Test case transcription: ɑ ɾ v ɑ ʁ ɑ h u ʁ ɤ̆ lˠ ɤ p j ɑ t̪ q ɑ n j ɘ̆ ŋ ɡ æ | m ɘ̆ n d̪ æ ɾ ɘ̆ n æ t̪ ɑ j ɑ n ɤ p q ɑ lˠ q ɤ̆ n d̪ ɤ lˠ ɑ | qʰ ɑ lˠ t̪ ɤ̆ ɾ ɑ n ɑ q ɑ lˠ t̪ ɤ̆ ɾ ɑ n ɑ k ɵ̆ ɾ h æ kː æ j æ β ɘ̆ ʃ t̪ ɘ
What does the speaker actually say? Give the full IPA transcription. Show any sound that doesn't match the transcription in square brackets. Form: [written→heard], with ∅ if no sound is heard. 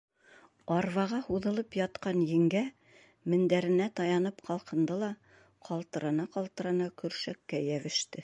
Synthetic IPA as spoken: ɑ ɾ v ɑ ʁ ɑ h u [ʁ→ð] ɤ̆ lˠ ɤ p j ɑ t̪ q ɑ n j ɘ̆ ŋ ɡ æ | m ɘ̆ n d̪ æ ɾ ɘ̆ n æ t̪ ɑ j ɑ n ɤ p q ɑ lˠ q ɤ̆ n d̪ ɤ lˠ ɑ | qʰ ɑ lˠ t̪ ɤ̆ ɾ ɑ n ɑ q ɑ lˠ t̪ ɤ̆ ɾ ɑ n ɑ k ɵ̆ ɾ [h→ʃ] æ kː æ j æ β ɘ̆ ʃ t̪ ɘ

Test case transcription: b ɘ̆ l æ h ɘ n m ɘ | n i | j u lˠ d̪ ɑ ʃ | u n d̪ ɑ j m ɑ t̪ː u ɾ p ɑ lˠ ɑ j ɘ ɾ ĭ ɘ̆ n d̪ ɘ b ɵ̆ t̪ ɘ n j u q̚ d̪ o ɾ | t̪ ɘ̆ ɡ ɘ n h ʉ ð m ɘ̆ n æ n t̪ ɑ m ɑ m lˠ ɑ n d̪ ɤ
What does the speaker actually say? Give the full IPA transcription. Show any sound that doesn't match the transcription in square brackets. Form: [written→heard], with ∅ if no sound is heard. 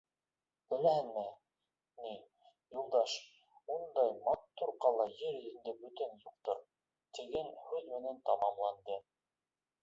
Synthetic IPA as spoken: b ɘ̆ l æ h ɘ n m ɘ | n i | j u lˠ d̪ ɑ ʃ | u n d̪ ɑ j m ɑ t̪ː u ɾ [p→q] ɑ lˠ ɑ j ɘ ɾ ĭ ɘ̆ n d̪ ɘ b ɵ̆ t̪ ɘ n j u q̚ [d̪→t̪] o ɾ | t̪ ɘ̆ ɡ ɘ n h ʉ ð m ɘ̆ n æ n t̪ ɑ m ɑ m lˠ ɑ n d̪ ɤ

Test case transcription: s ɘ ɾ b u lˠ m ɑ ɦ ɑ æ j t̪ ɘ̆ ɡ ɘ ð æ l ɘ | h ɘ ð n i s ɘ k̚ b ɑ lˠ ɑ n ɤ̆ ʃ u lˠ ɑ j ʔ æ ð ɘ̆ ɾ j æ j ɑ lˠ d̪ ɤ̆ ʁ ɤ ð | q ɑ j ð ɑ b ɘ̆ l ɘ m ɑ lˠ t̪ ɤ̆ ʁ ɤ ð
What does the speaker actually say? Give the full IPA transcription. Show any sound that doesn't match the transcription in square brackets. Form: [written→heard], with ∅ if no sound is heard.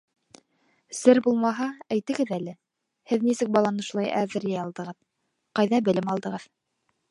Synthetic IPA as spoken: s ɘ ɾ b u lˠ m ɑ ɦ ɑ æ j t̪ ɘ̆ ɡ ɘ ð æ l ɘ | h ɘ ð n i s ɘ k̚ b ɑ lˠ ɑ n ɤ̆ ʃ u lˠ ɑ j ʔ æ ð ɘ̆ ɾ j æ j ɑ lˠ d̪ ɤ̆ ʁ ɤ ð | q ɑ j ð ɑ b ɘ̆ l ɘ m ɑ lˠ [t̪→d̪] ɤ̆ ʁ ɤ ð

